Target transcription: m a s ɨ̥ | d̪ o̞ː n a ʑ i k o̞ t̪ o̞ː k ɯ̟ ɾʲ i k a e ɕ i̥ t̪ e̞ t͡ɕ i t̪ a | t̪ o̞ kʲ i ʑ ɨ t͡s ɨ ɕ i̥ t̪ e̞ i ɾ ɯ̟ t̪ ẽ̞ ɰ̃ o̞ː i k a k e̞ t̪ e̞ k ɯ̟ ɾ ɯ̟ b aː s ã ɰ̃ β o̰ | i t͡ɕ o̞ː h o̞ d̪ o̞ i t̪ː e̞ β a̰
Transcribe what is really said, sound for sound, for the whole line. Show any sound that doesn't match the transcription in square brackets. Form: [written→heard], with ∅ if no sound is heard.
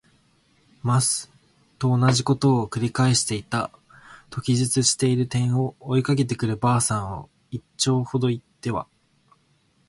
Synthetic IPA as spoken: m a s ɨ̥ | [d̪→t̪] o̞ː n a ʑ i k o̞ t̪ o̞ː k ɯ̟ ɾʲ i k a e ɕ i̥ t̪ e̞ [t͡ɕ→∅] i t̪ a | t̪ o̞ kʲ i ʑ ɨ t͡s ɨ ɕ i̥ t̪ e̞ i ɾ ɯ̟ t̪ ẽ̞ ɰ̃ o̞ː i k a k e̞ t̪ e̞ k ɯ̟ ɾ ɯ̟ b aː s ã ɰ̃ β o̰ | i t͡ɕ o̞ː h o̞ d̪ o̞ i t̪ː e̞ β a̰